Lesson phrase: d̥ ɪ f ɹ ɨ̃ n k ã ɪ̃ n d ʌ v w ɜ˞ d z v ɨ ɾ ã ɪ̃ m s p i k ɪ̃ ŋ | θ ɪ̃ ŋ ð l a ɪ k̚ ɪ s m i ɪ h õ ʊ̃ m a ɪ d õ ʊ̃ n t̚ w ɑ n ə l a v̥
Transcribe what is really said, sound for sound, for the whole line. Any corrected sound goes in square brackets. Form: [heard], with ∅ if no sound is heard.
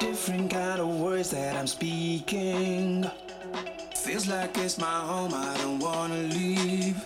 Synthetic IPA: d̥ ɪ f ɹ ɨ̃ n k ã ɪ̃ n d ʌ v w ɜ˞ d z [ð] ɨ ɾ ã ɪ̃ m s p i k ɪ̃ ŋ | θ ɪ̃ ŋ [z] l a ɪ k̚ ɪ s m [a] ɪ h õ ʊ̃ m a ɪ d õ ʊ̃ n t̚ w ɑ n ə l [i] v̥